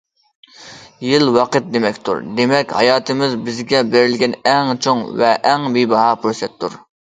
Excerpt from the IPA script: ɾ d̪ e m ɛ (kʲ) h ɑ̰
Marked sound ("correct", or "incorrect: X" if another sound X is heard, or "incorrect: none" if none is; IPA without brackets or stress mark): correct